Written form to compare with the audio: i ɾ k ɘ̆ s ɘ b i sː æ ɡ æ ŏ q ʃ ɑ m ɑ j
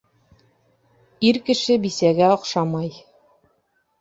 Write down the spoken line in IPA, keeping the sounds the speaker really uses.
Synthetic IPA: i ɾ k ɘ̆ ʃ ɘ b i s æ ɡ æ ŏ q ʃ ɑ m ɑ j